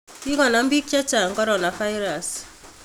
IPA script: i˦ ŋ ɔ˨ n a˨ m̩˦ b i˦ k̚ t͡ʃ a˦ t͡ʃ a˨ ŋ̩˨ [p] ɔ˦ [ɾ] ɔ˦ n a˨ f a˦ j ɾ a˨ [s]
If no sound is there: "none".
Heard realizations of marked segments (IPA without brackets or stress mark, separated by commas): k, ɾ, s